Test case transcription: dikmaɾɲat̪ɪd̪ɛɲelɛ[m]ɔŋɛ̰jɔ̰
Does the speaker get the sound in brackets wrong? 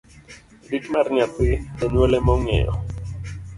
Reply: no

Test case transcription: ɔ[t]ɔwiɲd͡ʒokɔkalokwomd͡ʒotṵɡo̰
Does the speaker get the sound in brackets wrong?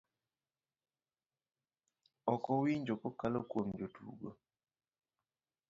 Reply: yes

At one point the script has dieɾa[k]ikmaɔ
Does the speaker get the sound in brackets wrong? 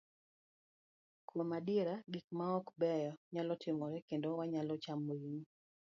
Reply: yes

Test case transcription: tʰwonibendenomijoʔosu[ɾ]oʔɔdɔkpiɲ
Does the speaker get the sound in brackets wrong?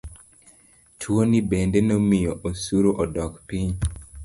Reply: no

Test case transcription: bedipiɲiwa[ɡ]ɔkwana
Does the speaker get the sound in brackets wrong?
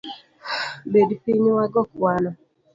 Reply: no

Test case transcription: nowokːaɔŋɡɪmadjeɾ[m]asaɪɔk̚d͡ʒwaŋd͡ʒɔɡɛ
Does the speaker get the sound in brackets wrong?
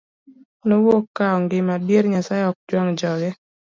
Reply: yes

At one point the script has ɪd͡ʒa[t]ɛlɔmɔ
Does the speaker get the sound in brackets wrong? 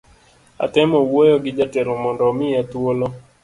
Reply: no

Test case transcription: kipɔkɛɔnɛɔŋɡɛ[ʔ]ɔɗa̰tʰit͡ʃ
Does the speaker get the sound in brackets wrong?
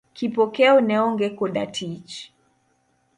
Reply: yes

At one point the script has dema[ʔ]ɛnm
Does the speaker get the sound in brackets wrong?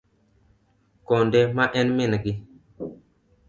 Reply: no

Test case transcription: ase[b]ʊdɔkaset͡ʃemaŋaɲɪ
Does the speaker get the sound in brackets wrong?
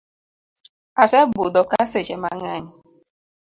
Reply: no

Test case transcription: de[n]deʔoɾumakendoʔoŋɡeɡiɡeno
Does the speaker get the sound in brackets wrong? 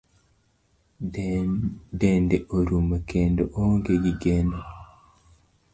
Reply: no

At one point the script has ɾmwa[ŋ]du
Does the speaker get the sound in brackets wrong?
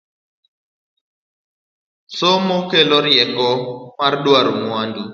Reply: yes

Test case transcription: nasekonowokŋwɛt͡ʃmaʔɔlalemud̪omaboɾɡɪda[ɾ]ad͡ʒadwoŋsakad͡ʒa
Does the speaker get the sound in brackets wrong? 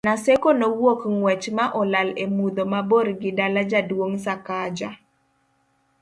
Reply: yes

